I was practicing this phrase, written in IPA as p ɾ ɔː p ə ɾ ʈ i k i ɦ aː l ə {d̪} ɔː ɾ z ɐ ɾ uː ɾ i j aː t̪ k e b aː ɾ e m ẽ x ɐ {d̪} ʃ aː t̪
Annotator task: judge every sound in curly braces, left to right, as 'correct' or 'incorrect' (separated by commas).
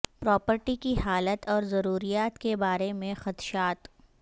incorrect, incorrect